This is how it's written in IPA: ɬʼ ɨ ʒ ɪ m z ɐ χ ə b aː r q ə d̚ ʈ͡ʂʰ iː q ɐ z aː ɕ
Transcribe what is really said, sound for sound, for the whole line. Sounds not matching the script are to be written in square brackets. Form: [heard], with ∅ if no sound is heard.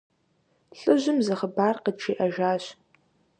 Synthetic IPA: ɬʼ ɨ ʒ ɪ m z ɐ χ ə b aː r q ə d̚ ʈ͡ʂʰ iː [ʔ] ɐ [ʒ] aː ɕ